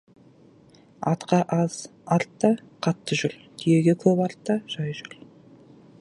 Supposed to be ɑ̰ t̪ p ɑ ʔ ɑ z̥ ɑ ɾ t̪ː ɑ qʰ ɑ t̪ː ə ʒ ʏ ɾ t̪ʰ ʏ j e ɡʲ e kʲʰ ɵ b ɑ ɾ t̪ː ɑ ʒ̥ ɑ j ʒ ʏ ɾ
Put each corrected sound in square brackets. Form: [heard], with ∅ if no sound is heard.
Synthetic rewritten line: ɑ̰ t̪ [q] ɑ ʔ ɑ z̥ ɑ ɾ t̪ː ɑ qʰ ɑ t̪ː ə ʒ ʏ ɾ t̪ʰ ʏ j e ɡʲ e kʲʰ ɵ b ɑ ɾ t̪ː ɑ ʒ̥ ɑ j ʒ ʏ ɾ

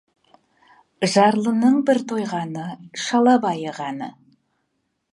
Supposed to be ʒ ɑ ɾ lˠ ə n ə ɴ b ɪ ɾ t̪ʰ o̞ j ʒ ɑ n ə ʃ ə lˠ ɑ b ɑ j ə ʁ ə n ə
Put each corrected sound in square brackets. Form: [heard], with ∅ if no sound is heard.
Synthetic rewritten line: ʒ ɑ ɾ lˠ ə n ə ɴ b ɪ ɾ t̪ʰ o̞ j [ʁ] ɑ n ə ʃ [ɑ] lˠ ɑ b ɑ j ə ʁ [ɑ] n ə

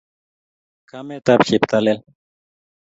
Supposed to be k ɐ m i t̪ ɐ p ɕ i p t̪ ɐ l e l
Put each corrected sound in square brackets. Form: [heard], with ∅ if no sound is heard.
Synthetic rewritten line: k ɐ m [e] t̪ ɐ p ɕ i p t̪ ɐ l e l

